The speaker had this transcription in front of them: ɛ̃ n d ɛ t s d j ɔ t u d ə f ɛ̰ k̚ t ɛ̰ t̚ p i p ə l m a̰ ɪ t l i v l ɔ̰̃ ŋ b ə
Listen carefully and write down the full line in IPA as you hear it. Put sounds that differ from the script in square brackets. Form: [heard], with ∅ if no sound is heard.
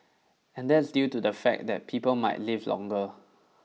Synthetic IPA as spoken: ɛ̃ n d ɛ t s d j [u] t u d ə f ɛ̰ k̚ [d] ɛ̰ t̚ [pʰ] i p ə l m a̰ ɪ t l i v l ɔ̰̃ ŋ [ɡ] ə